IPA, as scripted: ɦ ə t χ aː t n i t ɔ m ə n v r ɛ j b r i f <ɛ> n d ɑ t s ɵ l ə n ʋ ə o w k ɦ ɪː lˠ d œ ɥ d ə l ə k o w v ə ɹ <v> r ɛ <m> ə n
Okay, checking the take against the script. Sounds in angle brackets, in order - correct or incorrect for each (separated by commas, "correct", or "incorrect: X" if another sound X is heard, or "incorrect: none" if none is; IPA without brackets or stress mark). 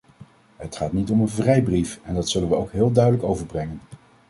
correct, incorrect: b, incorrect: ŋ